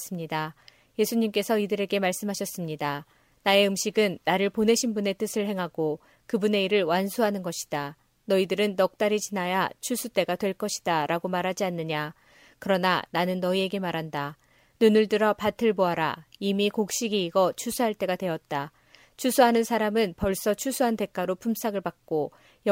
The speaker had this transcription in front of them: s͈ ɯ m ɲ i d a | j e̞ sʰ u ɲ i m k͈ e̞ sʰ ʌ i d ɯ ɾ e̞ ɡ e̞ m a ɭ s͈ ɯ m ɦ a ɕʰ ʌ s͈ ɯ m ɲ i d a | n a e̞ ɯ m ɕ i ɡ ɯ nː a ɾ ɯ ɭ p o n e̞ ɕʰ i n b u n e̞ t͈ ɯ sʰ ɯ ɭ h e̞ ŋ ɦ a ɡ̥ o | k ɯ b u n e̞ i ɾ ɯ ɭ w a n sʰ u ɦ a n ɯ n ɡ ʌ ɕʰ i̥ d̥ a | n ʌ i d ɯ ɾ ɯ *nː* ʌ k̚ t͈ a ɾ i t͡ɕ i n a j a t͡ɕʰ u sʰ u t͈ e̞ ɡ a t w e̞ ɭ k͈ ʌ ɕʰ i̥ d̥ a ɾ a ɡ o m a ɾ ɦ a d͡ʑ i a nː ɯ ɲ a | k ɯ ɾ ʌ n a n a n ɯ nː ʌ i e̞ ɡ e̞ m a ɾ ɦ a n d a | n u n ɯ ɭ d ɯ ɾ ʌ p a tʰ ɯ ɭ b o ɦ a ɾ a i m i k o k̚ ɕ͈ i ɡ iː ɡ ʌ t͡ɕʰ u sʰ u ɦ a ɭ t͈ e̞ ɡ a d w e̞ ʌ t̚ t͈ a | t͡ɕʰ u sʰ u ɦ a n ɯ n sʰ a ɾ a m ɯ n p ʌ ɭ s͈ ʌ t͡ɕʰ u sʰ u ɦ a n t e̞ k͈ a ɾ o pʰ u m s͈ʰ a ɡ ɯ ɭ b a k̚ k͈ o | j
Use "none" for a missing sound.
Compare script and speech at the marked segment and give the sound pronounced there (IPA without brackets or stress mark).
nː